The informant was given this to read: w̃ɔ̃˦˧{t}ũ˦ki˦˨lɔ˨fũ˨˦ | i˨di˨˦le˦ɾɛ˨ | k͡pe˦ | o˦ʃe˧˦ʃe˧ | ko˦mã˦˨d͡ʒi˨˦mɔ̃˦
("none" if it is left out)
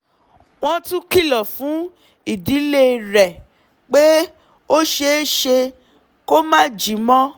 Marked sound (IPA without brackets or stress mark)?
t